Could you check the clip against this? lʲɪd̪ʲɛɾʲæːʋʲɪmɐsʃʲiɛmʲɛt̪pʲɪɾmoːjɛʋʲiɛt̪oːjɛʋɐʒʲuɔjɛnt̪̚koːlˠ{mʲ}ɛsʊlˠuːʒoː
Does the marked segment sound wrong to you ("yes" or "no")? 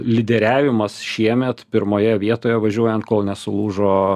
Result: yes